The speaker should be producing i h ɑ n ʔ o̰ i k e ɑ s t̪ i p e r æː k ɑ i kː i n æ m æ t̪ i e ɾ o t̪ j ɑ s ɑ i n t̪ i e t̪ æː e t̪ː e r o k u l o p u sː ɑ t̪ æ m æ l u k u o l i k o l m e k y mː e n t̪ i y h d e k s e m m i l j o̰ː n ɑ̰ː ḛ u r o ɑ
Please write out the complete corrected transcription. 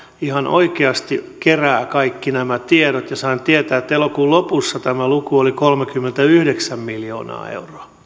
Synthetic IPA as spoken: i h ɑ n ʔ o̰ i k e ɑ s t̪ i k e r æː k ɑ i kː i n æ m æ t̪ i e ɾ o t̪ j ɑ s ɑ i n t̪ i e t̪ æː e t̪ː e l o k uː l o p u sː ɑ t̪ æ m æ l u k u o l i k o l m e k y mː e n t̪ æ y h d e k s æ m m i l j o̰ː n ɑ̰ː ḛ u r o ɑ